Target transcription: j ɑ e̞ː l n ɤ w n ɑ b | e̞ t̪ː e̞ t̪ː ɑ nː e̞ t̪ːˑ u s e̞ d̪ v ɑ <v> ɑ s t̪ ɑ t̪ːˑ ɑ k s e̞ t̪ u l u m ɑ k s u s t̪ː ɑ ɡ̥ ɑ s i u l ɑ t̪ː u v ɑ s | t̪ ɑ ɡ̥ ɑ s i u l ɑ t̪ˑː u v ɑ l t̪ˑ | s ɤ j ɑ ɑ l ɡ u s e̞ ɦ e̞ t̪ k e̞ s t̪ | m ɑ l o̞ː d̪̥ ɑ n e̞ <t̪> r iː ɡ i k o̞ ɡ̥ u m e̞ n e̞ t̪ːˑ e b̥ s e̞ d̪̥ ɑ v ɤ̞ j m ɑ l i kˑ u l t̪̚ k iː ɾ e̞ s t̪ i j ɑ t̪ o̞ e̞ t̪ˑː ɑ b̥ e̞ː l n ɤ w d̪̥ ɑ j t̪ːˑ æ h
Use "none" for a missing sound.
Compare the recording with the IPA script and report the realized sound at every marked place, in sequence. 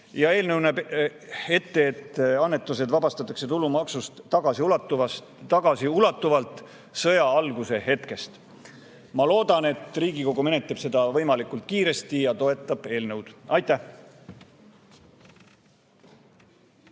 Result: b, t̪

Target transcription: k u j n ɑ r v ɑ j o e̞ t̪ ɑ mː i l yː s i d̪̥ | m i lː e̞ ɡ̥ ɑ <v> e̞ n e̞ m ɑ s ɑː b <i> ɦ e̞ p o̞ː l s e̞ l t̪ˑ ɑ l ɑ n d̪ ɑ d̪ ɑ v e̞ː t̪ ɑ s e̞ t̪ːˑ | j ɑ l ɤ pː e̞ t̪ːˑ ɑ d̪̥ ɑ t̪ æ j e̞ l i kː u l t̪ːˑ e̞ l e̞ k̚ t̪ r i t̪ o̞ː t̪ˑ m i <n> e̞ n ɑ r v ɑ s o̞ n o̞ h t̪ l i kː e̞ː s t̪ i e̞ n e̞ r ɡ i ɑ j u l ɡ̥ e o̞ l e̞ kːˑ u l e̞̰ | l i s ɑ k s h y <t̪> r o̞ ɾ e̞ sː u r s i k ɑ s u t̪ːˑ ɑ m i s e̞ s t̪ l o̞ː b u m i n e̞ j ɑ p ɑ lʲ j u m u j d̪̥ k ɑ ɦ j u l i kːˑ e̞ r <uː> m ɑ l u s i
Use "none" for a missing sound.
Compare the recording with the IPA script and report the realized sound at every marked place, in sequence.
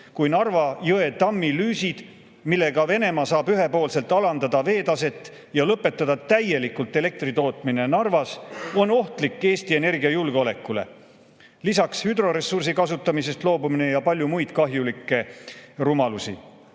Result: v, y, n, d̪, u

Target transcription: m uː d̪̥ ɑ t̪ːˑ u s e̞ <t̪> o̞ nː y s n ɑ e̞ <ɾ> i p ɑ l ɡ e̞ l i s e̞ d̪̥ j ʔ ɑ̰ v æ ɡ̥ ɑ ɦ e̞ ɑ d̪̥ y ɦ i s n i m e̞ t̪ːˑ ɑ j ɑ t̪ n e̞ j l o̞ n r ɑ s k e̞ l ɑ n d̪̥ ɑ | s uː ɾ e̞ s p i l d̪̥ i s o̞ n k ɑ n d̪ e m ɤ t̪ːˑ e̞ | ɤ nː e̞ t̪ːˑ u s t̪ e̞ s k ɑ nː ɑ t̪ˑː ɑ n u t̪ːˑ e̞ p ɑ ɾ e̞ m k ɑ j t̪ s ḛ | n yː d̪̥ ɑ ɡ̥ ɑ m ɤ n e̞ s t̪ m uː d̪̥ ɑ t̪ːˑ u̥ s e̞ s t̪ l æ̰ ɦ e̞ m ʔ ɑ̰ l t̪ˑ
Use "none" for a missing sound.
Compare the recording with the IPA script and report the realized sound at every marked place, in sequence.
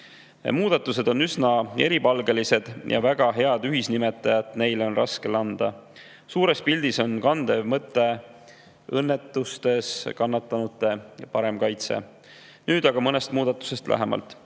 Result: d̪, ɾ

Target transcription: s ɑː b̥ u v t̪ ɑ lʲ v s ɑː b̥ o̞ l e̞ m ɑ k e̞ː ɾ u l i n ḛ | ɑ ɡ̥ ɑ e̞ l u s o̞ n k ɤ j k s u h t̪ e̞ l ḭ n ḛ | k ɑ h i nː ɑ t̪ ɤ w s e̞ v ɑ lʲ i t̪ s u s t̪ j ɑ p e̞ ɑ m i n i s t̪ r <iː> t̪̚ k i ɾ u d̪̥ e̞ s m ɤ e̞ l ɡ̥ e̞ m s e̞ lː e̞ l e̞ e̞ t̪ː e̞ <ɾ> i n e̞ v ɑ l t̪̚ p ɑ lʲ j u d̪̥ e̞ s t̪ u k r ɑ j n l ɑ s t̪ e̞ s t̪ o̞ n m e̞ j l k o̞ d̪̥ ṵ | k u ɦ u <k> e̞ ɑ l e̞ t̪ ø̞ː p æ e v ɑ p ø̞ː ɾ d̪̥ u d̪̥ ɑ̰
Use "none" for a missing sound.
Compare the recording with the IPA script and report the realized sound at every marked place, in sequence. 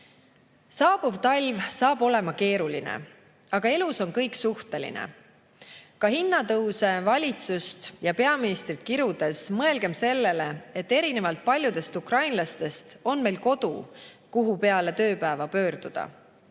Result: i, ɾ, p

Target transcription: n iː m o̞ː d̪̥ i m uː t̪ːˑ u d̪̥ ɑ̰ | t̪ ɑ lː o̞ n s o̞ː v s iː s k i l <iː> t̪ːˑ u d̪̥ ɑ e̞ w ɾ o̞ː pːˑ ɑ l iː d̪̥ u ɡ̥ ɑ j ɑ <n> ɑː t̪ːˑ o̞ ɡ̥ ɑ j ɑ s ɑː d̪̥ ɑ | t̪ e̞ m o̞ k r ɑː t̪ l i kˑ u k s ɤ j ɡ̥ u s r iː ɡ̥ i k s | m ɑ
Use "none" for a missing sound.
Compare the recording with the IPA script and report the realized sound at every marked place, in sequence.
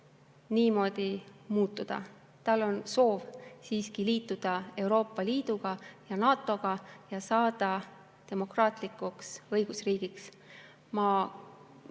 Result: iː, n

